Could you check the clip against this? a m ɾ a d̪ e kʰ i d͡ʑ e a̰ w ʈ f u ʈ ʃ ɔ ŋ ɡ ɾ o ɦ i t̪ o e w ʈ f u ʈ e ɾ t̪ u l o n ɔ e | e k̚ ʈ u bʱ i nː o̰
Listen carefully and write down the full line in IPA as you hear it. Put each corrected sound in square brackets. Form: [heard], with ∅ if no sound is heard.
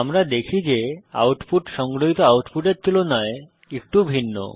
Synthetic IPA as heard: a m ɾ a d̪ e kʰ i d͡ʑ e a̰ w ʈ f u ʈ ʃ ɔ ŋ ɡ ɾ o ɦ i t̪ o [a] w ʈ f u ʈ e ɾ t̪ u l o n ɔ e | e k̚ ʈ u bʱ i nː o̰

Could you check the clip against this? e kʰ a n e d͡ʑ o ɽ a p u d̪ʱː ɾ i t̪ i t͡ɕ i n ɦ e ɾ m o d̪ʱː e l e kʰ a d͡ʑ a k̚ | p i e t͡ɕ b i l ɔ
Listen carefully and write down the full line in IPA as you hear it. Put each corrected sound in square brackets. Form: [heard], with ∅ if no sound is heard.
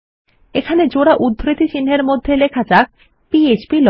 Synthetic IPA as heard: e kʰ a n e d͡ʑ o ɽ a [ʔ] u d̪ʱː ɾ i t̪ i t͡ɕ i n ɦ e ɾ m o d̪ʱː e l e kʰ a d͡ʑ a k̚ | p i e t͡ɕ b i l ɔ

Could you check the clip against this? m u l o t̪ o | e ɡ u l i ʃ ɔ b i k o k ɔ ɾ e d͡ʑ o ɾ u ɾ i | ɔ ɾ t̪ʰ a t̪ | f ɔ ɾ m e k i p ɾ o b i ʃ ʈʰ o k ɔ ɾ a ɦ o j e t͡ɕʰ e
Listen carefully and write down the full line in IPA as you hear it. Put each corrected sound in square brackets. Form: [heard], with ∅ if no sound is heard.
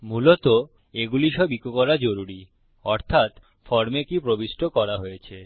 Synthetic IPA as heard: m u l o t̪ o | e ɡ u l i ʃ ɔ b i k o k ɔ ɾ [a] d͡ʑ o ɾ u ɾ i | ɔ ɾ t̪ʰ a t̪ | f ɔ ɾ m e k i p ɾ o b i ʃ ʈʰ o k ɔ ɾ a ɦ o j e t͡ɕʰ e

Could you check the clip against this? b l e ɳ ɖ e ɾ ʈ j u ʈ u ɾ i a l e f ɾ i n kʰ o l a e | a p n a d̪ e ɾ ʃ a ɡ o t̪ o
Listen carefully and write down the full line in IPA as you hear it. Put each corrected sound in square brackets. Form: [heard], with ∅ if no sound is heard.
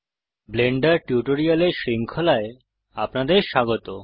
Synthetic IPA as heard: b l e ɳ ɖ [a] ɾ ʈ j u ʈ [o] ɾ i a l e [ʃ] ɾ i [ŋ] kʰ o l a e | a p n a d̪ e ɾ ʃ a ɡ o t̪ o

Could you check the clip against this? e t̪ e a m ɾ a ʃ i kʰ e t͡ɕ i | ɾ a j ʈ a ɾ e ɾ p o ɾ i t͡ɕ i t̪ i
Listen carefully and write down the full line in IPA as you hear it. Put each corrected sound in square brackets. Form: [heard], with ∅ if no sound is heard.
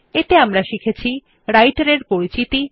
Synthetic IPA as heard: e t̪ e a m ɾ a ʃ i kʰ e [t͡ɕʰ] i | ɾ a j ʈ a ɾ e ɾ p o ɾ i t͡ɕ i t̪ i

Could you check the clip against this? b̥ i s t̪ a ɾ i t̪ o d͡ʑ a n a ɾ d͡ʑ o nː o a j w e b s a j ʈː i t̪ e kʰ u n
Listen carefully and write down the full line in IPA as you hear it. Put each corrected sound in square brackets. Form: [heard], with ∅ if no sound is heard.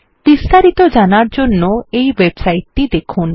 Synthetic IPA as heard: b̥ i s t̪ a ɾ i t̪ o d͡ʑ a n a ɾ d͡ʑ o nː o [e] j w e b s a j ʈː i [d̪] e kʰ u n

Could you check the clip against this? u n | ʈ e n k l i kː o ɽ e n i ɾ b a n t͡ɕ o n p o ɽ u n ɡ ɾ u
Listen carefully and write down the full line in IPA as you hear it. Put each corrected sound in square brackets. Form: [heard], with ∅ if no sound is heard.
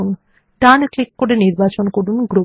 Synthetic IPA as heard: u n | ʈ [a] n k l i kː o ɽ e n i ɾ b a [∅] t͡ɕ o n [k] o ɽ u n ɡ ɾ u

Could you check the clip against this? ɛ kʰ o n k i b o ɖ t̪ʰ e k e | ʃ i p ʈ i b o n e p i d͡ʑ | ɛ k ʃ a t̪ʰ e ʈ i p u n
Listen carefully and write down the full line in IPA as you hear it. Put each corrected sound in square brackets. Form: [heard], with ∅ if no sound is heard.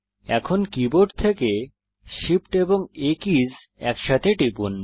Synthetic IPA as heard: ɛ kʰ o n k i b o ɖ t̪ʰ e k e | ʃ i p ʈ [e] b o [ŋ] e [k] i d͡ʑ | ɛ k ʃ a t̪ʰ e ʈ i p u n

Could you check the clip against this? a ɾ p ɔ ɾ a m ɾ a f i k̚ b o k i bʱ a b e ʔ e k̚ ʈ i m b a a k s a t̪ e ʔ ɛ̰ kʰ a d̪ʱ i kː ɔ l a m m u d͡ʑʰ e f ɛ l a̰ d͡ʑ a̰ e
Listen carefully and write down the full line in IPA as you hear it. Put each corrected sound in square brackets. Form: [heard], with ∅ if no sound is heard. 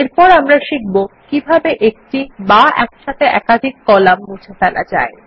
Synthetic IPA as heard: [e] ɾ p ɔ ɾ a m ɾ a [ʃ] i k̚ b o k i bʱ a b e ʔ e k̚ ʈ i [∅] b a [ɛ] k [ʃ] a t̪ e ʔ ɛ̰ [k] a d̪ʱ i kː ɔ l a m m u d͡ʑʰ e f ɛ l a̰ d͡ʑ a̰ e

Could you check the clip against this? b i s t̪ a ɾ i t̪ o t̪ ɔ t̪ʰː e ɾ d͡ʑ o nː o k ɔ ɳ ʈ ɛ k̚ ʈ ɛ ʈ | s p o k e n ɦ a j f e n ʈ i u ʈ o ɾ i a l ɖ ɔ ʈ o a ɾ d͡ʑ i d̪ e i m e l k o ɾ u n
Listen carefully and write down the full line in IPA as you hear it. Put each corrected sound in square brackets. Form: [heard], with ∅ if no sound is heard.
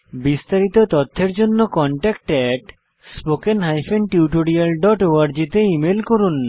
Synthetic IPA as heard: b i s t̪ a ɾ i t̪ o t̪ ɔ t̪ʰː e ɾ d͡ʑ o nː o k ɔ ɳ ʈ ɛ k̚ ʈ ɛ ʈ | s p o k e n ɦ a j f e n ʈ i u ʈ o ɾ i a l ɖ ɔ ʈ o a ɾ d͡ʑ i [t̪] e i m e l k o ɾ u n

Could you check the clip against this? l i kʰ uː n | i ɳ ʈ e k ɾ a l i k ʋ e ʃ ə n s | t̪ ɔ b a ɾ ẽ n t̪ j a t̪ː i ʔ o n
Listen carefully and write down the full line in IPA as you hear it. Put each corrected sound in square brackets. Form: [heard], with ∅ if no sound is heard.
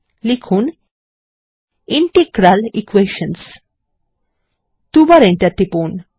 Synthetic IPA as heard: l i kʰ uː n | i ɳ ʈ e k ɾ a l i k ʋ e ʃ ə n s | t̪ [u] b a ɾ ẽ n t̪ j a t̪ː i [p] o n

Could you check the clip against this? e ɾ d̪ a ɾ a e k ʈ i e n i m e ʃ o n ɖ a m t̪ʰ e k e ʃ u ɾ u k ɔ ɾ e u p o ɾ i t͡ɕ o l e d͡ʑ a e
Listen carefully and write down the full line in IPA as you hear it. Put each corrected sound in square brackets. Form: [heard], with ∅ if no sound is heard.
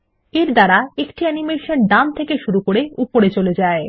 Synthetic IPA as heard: e ɾ d̪ a ɾ a e k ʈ i [ɛ] n i m e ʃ o n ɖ a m t̪ʰ e k e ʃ u ɾ u k [o] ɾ e u p o ɾ [e] t͡ɕ o l e d͡ʑ a e

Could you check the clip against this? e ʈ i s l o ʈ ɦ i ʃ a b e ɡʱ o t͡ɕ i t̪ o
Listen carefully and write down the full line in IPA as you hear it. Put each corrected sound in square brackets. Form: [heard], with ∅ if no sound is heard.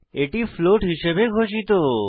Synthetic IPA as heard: e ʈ i [f] l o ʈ ɦ i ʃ [e] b e ɡʱ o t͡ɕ i t̪ o

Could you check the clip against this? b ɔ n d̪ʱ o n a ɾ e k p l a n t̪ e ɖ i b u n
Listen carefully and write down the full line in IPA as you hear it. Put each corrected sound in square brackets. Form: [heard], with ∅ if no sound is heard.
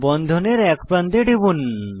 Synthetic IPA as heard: b ɔ n d̪ʱ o n [e] ɾ [ɛ] k p [ɾ] a n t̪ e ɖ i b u n

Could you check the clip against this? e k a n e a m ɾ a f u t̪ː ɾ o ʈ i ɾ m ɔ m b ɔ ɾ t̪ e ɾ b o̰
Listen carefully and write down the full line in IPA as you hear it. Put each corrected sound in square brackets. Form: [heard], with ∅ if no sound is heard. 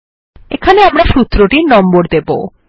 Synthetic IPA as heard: e [kʰ] a n e a m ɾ a [ʃ] u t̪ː ɾ o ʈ i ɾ [n] ɔ m b [o] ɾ [d̪] e [∅] b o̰

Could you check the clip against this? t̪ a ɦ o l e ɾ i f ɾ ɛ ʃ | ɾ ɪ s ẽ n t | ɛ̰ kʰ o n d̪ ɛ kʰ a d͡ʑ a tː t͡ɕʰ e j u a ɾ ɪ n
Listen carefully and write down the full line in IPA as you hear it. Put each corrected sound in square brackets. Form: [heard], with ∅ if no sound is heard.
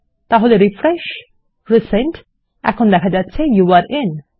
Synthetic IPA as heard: t̪ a ɦ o l e ɾ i f ɾ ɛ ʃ | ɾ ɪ s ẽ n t | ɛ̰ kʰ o n d̪ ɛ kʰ a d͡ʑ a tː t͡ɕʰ e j u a ɾ ɪ n

